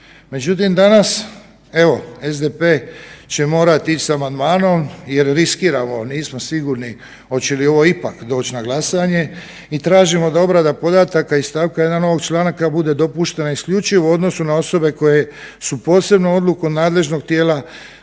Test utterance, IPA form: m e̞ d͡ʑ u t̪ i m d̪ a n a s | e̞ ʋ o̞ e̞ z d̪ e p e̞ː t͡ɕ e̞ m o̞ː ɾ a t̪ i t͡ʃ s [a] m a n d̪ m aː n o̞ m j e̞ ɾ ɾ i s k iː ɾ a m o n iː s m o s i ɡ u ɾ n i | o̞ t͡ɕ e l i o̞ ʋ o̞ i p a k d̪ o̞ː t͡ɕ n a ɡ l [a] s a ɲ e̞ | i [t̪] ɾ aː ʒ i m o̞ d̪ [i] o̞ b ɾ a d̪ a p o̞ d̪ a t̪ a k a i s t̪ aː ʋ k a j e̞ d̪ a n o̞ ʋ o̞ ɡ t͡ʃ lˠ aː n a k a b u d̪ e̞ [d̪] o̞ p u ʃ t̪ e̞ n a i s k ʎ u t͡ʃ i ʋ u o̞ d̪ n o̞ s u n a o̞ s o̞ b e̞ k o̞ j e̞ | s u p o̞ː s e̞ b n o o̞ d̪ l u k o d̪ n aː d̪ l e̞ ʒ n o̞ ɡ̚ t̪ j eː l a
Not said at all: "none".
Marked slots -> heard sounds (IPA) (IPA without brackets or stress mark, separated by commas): a, a, t̪, a, d̪